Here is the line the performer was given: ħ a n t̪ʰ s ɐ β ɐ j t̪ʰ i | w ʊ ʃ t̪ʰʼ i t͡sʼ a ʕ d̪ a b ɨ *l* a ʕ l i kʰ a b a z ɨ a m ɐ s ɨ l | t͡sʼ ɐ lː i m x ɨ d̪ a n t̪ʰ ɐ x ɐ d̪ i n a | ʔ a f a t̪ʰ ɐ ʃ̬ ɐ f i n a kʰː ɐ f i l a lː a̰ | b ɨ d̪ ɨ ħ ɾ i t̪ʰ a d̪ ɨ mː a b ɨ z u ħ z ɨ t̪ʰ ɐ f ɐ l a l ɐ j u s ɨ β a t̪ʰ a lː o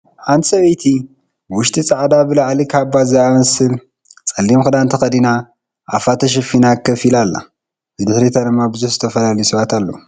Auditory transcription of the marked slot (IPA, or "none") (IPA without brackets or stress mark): l